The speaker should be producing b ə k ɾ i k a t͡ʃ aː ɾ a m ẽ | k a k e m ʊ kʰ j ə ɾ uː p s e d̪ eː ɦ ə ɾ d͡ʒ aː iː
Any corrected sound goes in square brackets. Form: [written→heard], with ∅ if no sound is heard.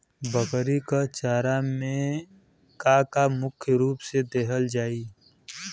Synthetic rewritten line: b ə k ɾ i k a t͡ʃ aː ɾ a m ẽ | k a k [e→a] m ʊ kʰ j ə ɾ uː p s e d̪ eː ɦ ə [ɾ→l] d͡ʒ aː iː